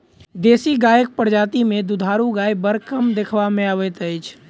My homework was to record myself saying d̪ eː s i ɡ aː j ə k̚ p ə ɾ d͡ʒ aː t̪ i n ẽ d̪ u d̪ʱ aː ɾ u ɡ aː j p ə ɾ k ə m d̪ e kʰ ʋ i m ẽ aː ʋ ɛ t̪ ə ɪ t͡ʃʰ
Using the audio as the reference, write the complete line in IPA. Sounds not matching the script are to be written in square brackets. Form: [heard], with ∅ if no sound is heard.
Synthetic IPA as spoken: d̪ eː s i ɡ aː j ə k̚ p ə ɾ d͡ʒ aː t̪ i [m] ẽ d̪ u d̪ʱ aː ɾ u ɡ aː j [b] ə ɾ k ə m d̪ e kʰ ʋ [a] m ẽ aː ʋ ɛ t̪ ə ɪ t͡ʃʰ